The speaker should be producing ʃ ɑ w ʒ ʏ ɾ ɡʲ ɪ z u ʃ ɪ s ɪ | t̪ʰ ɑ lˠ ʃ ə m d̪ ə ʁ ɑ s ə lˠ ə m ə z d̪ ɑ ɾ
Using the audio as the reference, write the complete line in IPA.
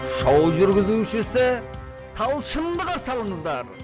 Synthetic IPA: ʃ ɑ w ʒ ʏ ɾ ɡʲ ɪ z u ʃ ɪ s ɪ | t̪ʰ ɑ lˠ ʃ ə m d̪ ə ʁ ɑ s ɑ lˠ ə ɴ ə z d̪ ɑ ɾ